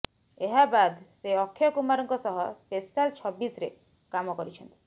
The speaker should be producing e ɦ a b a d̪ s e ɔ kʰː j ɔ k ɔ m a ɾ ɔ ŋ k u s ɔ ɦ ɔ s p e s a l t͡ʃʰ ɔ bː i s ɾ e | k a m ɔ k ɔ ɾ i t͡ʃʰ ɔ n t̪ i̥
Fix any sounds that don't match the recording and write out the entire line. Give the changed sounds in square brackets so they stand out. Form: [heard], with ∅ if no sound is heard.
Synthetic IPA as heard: e ɦ a b a d̪ s e ɔ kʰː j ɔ k [u] m a ɾ ɔ ŋ k [ɔ] s ɔ ɦ ɔ s p e s a l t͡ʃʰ ɔ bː i s ɾ e | k a m ɔ k ɔ ɾ i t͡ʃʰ ɔ n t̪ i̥

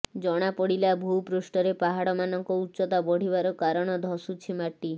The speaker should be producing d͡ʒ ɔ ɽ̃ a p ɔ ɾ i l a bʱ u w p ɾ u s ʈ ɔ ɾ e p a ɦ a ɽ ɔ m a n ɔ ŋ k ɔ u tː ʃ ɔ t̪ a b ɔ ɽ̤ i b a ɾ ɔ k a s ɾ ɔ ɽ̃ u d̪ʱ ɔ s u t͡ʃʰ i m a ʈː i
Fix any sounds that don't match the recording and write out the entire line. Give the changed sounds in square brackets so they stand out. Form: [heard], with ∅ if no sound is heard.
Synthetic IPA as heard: d͡ʒ ɔ ɽ̃ a p ɔ [ɽ] i l a bʱ u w p ɾ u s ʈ ɔ ɾ e p a ɦ a ɽ ɔ m a n ɔ ŋ k ɔ u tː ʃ ɔ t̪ a b ɔ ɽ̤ i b a ɾ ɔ k a [∅] ɾ ɔ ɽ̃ [ɔ] d̪ʱ ɔ s u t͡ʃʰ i m a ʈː i

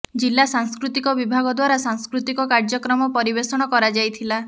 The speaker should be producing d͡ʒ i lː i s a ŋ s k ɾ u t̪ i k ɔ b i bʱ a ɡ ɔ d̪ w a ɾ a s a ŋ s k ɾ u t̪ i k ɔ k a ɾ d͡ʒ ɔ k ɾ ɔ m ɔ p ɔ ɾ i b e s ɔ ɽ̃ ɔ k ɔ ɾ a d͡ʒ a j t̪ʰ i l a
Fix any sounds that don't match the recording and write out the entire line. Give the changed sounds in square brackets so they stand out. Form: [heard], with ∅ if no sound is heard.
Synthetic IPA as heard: d͡ʒ i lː [a] s a ŋ s k ɾ u t̪ i k ɔ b i bʱ a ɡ ɔ d̪ w a ɾ a s a ŋ s k ɾ u t̪ i k ɔ k a ɾ d͡ʒ ɔ k ɾ ɔ m ɔ p ɔ ɾ i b e s ɔ ɽ̃ ɔ k ɔ ɾ a d͡ʒ a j t̪ʰ i l a

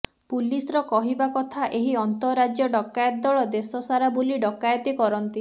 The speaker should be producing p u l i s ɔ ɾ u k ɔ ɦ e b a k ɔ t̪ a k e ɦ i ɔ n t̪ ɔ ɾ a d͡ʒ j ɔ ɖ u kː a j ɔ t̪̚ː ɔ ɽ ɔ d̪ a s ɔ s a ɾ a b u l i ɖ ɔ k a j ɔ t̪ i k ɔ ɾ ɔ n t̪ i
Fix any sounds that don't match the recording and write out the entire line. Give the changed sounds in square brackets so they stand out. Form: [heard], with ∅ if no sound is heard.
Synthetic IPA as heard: p u l i s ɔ ɾ [ɔ] k ɔ ɦ [i] b a k ɔ [t̪ʰ] a [ʔ] e ɦ i ɔ n t̪ ɔ ɾ a d͡ʒ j ɔ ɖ [ɔ] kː a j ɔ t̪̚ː ɔ [ɭ] ɔ d̪ [e] s ɔ s a ɾ a b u l i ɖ ɔ k a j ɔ t̪ i k ɔ ɾ ɔ n t̪ i

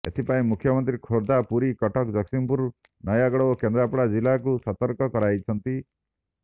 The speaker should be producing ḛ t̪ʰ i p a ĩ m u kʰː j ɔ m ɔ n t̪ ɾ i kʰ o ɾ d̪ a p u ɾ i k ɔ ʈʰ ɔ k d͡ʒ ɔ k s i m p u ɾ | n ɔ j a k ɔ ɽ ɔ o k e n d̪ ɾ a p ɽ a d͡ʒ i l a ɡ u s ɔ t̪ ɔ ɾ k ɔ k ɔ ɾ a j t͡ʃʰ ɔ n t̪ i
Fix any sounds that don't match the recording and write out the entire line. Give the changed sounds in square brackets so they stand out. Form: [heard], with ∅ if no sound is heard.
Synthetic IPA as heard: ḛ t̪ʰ i p a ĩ m u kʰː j ɔ m ɔ n t̪ ɾ i kʰ o ɾ d̪ a p u ɾ i k ɔ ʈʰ ɔ k d͡ʒ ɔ k s i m p u ɾ | n ɔ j a [ɡ] ɔ ɽ ɔ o k e n d̪ ɾ a p ɽ a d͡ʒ i l a [k] u s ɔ t̪ ɔ ɾ k ɔ k ɔ ɾ a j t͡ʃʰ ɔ n t̪ i

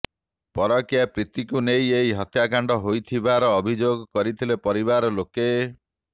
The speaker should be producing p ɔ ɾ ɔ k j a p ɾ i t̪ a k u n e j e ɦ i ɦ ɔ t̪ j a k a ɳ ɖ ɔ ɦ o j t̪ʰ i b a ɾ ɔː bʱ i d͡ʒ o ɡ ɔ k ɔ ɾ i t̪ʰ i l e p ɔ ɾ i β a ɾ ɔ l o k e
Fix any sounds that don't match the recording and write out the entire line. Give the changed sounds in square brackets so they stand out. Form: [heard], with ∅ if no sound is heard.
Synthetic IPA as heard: p ɔ ɾ ɔ k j a p ɾ i t̪ [i] k u n e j e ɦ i ɦ ɔ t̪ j a k a ɳ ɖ ɔ ɦ o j t̪ʰ i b a ɾ ɔː bʱ i d͡ʒ o ɡ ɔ k ɔ ɾ i t̪ʰ i l e p ɔ ɾ i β a ɾ ɔ l o k e

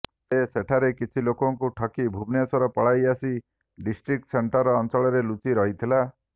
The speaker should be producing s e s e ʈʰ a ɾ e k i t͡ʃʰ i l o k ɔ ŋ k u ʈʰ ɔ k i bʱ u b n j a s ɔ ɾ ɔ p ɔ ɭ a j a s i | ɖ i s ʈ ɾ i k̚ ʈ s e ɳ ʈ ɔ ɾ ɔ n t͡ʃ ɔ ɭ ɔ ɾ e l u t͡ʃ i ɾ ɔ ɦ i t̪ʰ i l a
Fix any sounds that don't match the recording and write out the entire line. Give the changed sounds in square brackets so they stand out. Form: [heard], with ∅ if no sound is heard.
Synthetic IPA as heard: s e s e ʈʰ a ɾ e k i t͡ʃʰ i l o k ɔ ŋ k u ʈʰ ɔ k i bʱ u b n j a s ɔ ɾ ɔ p ɔ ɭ a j a s i | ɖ i s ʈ ɾ i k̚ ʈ s e ɳ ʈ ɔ ɾ [ɔː] n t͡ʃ ɔ ɭ ɔ ɾ e l u t͡ʃ i ɾ ɔ ɦ i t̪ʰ i l a

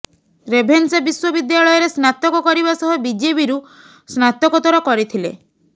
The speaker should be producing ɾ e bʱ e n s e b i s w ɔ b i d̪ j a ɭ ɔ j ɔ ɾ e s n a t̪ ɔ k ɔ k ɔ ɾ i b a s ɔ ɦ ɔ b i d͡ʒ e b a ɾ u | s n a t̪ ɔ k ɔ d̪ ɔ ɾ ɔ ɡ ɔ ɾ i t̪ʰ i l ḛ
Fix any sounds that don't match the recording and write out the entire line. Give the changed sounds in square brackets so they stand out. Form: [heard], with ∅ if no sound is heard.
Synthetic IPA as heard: ɾ e bʱ e n s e b i s w ɔ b i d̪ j a ɭ ɔ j ɔ ɾ e s n a t̪ ɔ k ɔ k ɔ ɾ i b a s ɔ ɦ ɔ b i d͡ʒ e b [i] ɾ u | s n a t̪ ɔ k ɔ [t̪] ɔ ɾ ɔ [k] ɔ ɾ i t̪ʰ i l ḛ

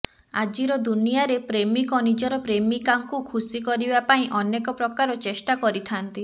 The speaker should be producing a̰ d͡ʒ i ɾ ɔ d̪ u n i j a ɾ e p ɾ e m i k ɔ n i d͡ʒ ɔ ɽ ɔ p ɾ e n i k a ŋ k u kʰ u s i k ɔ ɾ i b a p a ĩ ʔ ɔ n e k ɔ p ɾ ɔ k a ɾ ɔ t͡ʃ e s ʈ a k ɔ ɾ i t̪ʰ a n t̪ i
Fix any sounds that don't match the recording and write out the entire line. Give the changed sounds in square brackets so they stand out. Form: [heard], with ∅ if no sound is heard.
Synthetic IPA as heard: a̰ d͡ʒ i ɾ ɔ d̪ u n i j a ɾ e p ɾ e m i k ɔ n i d͡ʒ ɔ [ɾ] ɔ p ɾ e [m] i k a ŋ k u kʰ u s i k ɔ ɾ i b a p a ĩ ʔ ɔ n e k ɔ p ɾ ɔ k a ɾ ɔ t͡ʃ e s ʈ a k ɔ ɾ i t̪ʰ a n t̪ i

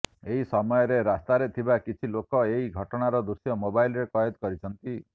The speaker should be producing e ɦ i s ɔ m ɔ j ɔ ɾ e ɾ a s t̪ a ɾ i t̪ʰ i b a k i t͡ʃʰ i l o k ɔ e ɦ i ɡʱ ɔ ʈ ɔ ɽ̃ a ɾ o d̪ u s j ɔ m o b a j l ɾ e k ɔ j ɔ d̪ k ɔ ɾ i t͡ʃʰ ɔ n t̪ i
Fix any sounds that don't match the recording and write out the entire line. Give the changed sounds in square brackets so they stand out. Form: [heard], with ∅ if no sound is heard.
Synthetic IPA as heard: e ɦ i s ɔ m ɔ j ɔ ɾ e ɾ a s t̪ a ɾ [e] t̪ʰ i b a k i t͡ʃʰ i l o k ɔ e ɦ i ɡʱ ɔ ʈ ɔ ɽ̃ a ɾ [ɔ] d̪ u s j ɔ m o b a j l ɾ e k ɔ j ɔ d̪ k ɔ ɾ i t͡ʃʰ ɔ n t̪ i

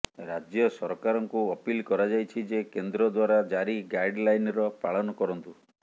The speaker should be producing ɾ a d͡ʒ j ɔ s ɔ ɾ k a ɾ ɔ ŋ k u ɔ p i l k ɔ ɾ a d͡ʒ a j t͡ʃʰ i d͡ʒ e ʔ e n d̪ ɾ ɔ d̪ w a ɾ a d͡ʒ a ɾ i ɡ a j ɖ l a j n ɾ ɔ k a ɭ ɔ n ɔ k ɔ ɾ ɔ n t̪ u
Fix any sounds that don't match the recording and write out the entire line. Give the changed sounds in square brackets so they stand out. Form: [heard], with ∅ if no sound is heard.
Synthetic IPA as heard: ɾ a d͡ʒ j ɔ s ɔ ɾ k a ɾ ɔ ŋ k u ɔ p i l k ɔ ɾ a d͡ʒ a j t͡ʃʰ i d͡ʒ e [k] e n d̪ ɾ ɔ d̪ w a ɾ a d͡ʒ a ɾ i ɡ a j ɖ l a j n ɾ ɔ [p] a ɭ ɔ n ɔ k ɔ ɾ ɔ n t̪ u

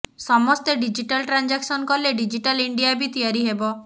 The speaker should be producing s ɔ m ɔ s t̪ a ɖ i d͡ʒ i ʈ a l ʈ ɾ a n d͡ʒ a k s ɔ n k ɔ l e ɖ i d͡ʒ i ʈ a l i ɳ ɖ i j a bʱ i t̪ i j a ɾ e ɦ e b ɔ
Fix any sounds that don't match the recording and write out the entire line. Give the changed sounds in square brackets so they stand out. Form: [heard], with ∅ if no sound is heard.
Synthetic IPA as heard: s ɔ m ɔ s t̪ [e] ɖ i d͡ʒ i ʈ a l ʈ ɾ a n d͡ʒ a k s ɔ n k ɔ l e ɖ i d͡ʒ i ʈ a l i ɳ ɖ i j a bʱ i t̪ i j a ɾ [i] ɦ e b ɔ

